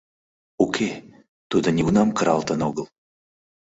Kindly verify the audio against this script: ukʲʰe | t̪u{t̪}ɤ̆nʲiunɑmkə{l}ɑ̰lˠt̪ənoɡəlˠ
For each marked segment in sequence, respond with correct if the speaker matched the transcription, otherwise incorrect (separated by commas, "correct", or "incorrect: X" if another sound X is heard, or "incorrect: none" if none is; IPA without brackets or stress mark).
incorrect: d̪, incorrect: ɾ